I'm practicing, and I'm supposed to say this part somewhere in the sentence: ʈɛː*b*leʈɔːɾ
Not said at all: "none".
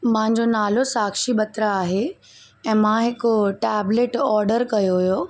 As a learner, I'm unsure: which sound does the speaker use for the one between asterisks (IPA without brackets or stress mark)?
b